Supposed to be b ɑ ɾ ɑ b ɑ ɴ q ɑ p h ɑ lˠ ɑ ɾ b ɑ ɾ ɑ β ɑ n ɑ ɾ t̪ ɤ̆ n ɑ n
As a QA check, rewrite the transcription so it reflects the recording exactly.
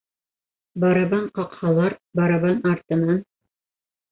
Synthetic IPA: b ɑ ɾ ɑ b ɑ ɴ q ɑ q h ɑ lˠ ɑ ɾ b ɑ ɾ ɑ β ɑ n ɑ ɾ t̪ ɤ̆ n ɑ n